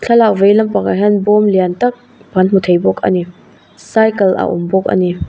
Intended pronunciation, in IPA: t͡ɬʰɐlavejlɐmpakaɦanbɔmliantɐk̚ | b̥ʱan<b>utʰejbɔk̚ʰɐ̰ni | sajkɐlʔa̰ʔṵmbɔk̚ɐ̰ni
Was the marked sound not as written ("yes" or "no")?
yes